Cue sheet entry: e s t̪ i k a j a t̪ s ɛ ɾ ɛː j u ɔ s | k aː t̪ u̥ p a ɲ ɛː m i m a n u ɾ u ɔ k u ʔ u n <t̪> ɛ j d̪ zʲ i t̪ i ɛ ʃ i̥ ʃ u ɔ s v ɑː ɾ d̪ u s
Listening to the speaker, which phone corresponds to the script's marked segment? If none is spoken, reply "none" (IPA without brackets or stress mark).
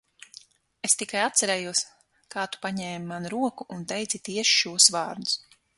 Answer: t̪